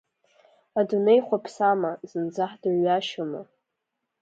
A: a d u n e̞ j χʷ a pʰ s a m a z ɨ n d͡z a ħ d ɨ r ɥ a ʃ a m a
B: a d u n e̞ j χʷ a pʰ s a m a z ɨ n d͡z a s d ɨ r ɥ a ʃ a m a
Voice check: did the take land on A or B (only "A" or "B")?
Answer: A